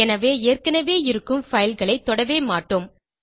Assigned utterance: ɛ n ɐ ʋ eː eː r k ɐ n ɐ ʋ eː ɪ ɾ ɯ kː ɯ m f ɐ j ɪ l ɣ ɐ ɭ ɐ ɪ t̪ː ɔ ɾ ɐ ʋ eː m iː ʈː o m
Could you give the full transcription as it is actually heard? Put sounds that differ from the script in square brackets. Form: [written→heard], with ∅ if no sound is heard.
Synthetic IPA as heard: ɛ n ɐ ʋ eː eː r k ɐ n ɐ ʋ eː ɪ ɾ ɯ kː ɯ m f ɐ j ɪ l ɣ ɐ ɭ ɐ ɪ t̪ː ɔ [ɾ→ɽ] ɐ ʋ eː m [iː→aː] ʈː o m